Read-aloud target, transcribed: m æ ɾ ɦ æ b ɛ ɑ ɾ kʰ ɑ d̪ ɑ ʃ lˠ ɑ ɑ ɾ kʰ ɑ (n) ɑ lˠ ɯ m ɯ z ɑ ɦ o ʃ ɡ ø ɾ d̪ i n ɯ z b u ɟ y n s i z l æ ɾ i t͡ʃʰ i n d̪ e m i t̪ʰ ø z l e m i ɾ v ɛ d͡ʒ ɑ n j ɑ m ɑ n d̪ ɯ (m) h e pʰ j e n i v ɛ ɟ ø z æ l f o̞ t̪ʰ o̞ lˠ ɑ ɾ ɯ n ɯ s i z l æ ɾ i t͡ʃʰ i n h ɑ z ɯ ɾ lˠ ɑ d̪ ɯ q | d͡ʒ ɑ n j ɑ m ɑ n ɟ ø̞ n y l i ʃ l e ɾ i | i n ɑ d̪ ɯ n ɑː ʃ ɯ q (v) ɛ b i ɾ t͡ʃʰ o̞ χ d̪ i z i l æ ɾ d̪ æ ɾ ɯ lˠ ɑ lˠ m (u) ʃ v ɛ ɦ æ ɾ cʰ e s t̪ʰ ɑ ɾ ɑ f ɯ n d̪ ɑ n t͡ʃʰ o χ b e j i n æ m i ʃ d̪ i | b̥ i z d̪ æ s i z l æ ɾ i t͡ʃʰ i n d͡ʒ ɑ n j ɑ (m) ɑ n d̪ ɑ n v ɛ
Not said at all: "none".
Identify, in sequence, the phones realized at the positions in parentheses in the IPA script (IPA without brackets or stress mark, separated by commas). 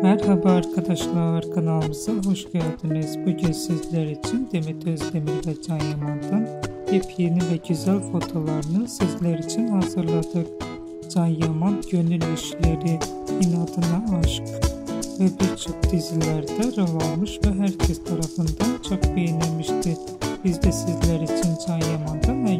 n, n, v, ɯ, m